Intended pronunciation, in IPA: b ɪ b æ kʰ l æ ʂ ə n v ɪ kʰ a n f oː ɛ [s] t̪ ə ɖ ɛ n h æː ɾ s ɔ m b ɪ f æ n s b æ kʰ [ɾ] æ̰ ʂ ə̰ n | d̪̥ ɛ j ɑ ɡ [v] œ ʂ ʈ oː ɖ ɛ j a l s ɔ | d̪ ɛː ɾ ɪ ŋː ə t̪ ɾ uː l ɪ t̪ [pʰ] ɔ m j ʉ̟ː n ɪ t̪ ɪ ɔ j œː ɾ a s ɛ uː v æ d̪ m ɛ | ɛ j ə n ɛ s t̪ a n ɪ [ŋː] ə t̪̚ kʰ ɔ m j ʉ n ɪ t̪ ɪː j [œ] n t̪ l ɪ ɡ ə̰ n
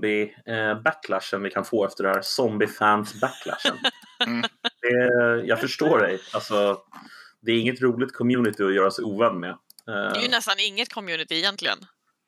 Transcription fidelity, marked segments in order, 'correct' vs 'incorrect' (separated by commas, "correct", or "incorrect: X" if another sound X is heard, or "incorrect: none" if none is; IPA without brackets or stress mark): incorrect: f, incorrect: l, incorrect: f, incorrect: kʰ, correct, incorrect: ɛ